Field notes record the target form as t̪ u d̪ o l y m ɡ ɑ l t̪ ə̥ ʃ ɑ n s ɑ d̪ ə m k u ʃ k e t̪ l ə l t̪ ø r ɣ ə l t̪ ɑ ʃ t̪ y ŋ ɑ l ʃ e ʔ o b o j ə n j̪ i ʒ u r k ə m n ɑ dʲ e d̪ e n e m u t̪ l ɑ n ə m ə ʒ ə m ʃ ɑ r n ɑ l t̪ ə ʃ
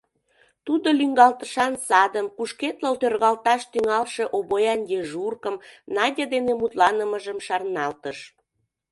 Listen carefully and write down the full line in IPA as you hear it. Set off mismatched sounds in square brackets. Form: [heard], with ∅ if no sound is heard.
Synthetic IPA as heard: t̪ u d̪ o l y [ŋ] ɡ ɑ l t̪ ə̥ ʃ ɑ n s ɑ d̪ ə m k u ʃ k e t̪ l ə l t̪ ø r ɣ [ɑ] l t̪ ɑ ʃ t̪ y ŋ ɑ l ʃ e ʔ o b o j [ɑ] n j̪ [e] ʒ u r k ə m n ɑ dʲ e d̪ e n e m u t̪ l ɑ n ə m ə ʒ ə m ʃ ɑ r n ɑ l t̪ ə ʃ

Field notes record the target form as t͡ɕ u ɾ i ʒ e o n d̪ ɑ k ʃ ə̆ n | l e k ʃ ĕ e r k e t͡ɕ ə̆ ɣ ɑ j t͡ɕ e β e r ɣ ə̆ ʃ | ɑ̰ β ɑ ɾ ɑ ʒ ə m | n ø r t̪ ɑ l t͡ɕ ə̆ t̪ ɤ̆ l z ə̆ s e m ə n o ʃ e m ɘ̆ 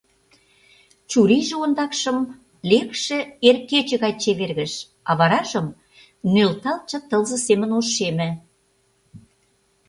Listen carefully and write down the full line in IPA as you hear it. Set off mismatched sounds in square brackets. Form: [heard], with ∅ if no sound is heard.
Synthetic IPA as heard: t͡ɕ u ɾ i ʒ e o n d̪ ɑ k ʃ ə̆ [m] | l e k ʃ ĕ e r k e t͡ɕ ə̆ ɣ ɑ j t͡ɕ e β e r ɣ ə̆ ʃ | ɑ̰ β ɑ ɾ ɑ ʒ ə m | n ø [l] t̪ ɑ l t͡ɕ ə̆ t̪ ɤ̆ l z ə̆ s e m ə n o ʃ e m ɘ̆

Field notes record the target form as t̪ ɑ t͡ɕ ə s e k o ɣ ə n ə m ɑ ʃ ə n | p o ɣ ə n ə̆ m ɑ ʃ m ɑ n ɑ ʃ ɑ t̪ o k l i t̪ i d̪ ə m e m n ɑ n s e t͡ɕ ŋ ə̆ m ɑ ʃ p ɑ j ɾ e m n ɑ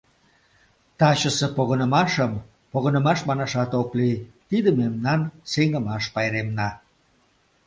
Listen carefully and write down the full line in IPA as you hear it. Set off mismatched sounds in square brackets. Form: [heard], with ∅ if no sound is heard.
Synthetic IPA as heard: t̪ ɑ t͡ɕ ə s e [p] o ɣ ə n ə m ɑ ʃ ə [m] | p o ɣ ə n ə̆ m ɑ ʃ m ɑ n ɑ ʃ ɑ t̪ o k l i t̪ i d̪ ə m e m n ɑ n s e [∅] ŋ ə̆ m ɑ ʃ p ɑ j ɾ e m n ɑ

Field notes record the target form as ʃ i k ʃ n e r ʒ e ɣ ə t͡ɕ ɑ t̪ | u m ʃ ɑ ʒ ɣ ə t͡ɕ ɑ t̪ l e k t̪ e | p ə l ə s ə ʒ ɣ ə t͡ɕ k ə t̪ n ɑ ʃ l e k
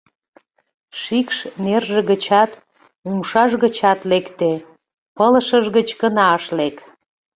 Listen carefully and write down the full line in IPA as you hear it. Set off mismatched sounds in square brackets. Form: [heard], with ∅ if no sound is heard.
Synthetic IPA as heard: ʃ i k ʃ n e r ʒ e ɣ ə t͡ɕ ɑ t̪ | u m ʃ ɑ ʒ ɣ ə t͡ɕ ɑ t̪ l e k t̪ e | p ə l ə [ʃ] ə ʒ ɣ ə t͡ɕ k ə [∅] n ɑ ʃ l e k

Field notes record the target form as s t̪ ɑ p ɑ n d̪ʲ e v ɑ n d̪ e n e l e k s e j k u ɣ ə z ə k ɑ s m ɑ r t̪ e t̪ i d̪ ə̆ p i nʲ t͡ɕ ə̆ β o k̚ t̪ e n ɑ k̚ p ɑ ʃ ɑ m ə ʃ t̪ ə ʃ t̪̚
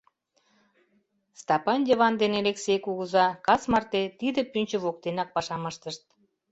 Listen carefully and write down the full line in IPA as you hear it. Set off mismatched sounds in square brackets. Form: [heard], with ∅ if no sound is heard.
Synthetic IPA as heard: s t̪ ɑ p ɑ n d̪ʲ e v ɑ n d̪ e n e l e k s e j k u ɣ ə z [ɑ] k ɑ s m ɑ r t̪ e t̪ i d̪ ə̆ p [y] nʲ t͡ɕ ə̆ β o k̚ t̪ e n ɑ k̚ p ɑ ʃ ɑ m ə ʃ t̪ ə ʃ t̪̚

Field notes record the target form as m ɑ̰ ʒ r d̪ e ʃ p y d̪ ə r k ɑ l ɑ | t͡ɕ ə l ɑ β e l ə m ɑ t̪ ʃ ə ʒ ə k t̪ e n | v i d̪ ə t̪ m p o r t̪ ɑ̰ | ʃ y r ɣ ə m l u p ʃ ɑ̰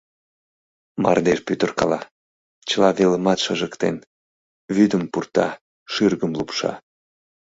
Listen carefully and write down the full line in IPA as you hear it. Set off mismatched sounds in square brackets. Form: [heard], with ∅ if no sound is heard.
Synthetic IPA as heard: m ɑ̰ [∅] r d̪ e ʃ p y [t̪] ə r k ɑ l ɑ | t͡ɕ ə l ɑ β e l ə m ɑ t̪ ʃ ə ʒ ə k t̪ e n | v [y] d̪ ə [∅] m p [u] r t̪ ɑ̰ | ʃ y r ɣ ə m l u p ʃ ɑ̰

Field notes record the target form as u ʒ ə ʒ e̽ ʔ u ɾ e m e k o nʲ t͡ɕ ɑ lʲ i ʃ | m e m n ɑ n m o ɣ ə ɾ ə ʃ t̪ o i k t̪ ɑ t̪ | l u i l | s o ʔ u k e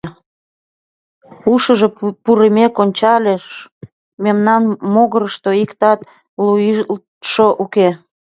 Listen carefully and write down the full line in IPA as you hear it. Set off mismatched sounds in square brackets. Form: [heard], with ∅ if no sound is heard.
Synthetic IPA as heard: u [ʃ] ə ʒ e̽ [p] u ɾ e m e k o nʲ t͡ɕ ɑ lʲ [e] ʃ | m e m n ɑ n m o ɣ ə ɾ ə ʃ t̪ o i k t̪ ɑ t̪ | l u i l | [ʃ] o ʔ u k e

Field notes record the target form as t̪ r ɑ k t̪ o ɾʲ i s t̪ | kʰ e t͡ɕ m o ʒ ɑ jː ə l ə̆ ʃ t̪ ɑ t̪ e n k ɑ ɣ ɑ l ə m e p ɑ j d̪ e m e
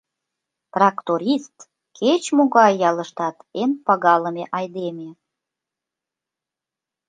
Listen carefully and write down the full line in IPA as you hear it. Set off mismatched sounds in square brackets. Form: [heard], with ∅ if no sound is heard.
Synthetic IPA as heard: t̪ r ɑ k t̪ o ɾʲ i s t̪ | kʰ e t͡ɕ m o [ɣ] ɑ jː [ɑ] l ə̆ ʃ t̪ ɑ t̪ e n [p] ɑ ɣ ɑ l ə m e [ʔ] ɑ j d̪ e m e

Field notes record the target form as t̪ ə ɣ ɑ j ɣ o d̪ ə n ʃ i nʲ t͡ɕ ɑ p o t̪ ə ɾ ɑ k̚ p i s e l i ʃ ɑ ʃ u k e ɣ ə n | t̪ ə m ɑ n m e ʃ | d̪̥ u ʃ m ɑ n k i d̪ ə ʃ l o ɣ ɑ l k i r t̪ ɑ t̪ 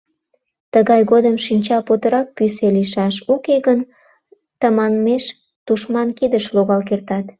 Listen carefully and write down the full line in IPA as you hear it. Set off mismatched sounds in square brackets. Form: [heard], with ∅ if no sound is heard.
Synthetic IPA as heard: t̪ ə ɣ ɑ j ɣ o d̪ ə [m] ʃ i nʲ t͡ɕ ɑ p o t̪ ə ɾ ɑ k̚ p [y] s e l i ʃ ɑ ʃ u k e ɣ ə n | t̪ ə m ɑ n m e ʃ | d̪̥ u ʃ m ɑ n k i d̪ ə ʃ l o ɣ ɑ l k [e] r t̪ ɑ t̪

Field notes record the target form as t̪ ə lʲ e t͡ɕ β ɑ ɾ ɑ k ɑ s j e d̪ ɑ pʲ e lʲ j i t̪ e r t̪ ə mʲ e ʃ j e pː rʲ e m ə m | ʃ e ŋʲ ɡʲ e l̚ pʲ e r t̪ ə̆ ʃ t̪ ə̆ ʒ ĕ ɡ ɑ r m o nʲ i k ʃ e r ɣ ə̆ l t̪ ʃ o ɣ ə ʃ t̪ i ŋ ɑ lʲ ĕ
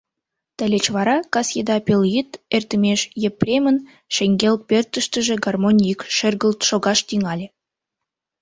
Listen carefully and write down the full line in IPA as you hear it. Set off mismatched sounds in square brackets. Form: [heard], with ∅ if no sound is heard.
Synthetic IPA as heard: t̪ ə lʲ e t͡ɕ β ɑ ɾ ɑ k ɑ s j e d̪ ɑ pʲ e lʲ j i t̪ e r t̪ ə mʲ e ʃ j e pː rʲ e m ə [n] | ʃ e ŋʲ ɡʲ e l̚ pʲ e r t̪ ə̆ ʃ t̪ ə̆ ʒ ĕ ɡ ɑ r m o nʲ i k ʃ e r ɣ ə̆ l t̪ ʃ o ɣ [ɑ] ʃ t̪ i ŋ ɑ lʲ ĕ

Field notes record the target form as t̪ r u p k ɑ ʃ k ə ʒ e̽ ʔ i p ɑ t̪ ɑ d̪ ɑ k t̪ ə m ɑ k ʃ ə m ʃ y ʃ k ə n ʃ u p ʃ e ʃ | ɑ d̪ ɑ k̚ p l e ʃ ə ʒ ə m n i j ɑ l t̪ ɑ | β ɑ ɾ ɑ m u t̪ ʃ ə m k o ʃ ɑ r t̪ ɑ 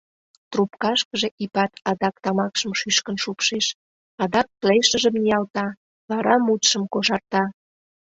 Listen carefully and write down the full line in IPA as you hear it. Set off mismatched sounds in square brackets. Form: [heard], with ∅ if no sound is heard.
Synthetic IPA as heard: t̪ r u p k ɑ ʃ k ə ʒ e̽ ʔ i p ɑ t̪ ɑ d̪ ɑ k t̪ [ɑ] m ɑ k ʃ ə m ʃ y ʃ k ə n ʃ u p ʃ e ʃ | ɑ d̪ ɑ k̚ p l e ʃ ə ʒ ə m n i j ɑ l t̪ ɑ | β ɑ ɾ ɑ m u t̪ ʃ ə m k o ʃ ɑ r t̪ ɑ

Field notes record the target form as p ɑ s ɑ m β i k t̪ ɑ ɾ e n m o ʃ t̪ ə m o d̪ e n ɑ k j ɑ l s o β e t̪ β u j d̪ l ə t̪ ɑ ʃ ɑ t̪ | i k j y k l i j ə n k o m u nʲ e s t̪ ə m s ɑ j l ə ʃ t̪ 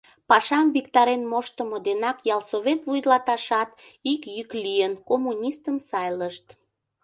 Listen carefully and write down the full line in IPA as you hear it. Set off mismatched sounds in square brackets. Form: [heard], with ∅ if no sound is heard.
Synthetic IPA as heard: p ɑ [ʃ] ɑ m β i k t̪ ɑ ɾ e n m o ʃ t̪ ə m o d̪ e n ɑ k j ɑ l s o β e t̪ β u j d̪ l [ɑ] t̪ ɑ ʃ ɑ t̪ | i k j y k l i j ə n k o m u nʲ [i] s t̪ ə m s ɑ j l ə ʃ t̪

